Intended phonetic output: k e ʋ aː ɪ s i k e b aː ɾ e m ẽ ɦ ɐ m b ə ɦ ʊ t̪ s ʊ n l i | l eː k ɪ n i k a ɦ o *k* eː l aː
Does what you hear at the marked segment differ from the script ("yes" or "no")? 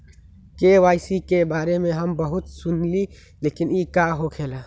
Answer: yes